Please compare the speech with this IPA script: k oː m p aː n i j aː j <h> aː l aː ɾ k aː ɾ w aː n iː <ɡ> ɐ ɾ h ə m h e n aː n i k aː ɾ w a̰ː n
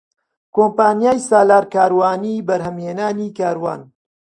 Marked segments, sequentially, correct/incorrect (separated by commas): incorrect, incorrect